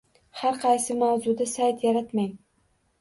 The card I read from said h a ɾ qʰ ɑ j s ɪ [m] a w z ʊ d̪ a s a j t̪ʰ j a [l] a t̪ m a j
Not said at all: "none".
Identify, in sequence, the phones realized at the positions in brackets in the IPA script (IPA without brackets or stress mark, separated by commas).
m, ɾ